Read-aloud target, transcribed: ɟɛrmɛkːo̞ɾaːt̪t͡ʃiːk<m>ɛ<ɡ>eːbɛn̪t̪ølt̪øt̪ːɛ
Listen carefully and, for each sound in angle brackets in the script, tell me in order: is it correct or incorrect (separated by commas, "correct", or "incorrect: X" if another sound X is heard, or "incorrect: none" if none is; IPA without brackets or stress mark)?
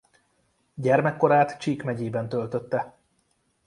correct, incorrect: ɟ